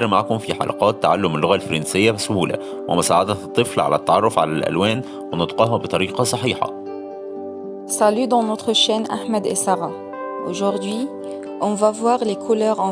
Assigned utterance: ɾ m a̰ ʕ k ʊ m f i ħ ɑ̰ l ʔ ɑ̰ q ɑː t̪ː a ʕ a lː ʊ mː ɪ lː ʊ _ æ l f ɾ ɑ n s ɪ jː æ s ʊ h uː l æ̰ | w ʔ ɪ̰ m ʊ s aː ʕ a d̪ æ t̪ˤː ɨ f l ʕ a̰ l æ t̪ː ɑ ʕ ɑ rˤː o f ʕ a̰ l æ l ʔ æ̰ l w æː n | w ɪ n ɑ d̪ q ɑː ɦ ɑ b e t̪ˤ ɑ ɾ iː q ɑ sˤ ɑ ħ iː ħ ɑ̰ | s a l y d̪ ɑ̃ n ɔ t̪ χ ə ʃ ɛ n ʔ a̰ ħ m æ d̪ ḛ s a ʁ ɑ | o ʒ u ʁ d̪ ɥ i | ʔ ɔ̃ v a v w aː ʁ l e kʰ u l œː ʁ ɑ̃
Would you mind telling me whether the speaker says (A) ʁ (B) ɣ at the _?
B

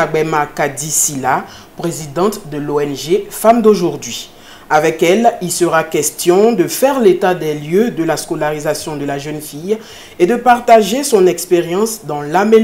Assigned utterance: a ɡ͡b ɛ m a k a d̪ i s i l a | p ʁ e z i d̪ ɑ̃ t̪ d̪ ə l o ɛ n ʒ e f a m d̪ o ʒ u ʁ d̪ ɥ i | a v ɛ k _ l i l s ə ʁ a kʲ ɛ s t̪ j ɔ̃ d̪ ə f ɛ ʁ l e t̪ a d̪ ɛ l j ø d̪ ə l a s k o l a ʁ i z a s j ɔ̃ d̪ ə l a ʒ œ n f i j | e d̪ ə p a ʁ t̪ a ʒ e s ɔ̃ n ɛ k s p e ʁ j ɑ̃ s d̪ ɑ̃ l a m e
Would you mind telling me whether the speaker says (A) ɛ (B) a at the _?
A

